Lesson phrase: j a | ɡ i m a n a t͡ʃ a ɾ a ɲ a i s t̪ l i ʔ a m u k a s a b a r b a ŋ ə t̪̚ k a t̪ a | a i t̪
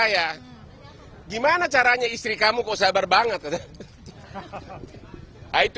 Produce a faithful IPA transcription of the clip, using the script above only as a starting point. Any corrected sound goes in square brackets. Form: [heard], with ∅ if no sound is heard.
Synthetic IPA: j a | ɡ i m a n a t͡ʃ a ɾ a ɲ a i s t̪ [ɾ] i [k] a m u k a s a b a r b a ŋ ə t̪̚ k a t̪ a | a i t̪